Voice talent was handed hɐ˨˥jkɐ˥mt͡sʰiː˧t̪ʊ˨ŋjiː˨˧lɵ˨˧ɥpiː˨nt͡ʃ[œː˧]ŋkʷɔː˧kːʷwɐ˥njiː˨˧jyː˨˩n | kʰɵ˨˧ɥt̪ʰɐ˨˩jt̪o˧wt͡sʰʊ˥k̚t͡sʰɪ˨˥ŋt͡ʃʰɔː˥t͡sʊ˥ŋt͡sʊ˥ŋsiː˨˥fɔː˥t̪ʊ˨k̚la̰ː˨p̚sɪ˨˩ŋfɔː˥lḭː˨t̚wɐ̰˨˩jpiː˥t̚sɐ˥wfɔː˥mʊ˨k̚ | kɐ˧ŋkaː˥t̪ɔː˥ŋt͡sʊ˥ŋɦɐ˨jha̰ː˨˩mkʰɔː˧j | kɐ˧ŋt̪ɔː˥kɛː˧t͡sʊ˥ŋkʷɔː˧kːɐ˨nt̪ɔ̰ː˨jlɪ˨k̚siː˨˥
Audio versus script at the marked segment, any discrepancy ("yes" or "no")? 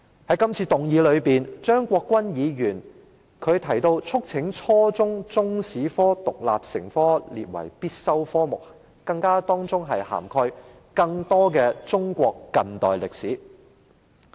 yes